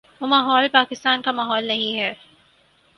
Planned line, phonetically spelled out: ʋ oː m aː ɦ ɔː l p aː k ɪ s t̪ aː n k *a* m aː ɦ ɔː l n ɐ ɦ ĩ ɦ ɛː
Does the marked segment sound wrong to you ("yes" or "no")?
no